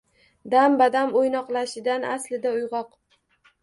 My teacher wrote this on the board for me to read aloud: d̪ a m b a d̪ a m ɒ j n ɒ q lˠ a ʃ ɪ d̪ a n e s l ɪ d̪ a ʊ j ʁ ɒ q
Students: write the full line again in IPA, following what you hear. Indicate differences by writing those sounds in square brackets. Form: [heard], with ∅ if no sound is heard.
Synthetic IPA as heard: d̪ a m b a d̪ a m [o] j n ɒ q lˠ a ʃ ɪ d̪ a n [a] s l ɪ d̪ a ʊ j ʁ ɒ q